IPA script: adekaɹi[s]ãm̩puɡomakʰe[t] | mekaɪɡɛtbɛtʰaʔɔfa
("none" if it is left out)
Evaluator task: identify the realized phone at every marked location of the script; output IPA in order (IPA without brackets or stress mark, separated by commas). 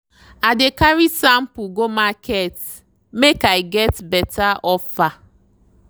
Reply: s, t